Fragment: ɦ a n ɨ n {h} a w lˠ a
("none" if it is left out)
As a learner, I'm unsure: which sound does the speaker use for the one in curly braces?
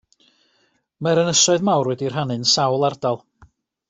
s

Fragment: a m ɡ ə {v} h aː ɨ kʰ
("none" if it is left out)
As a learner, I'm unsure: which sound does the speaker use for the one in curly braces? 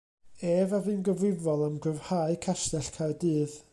v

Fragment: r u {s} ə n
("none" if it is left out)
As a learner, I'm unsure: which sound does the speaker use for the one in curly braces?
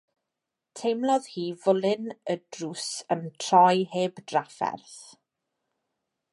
s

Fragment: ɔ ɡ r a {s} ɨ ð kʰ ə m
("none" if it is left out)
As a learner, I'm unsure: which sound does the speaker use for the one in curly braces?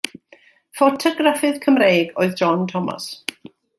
f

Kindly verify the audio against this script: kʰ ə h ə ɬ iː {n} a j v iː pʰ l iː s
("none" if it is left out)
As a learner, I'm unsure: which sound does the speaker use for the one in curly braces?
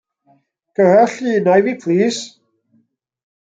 n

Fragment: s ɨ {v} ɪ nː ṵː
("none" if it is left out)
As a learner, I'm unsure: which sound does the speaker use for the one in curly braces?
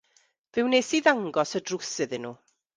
ð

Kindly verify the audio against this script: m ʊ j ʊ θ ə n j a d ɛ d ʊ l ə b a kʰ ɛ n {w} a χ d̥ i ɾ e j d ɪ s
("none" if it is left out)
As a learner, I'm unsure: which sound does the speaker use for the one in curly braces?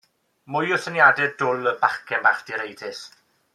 b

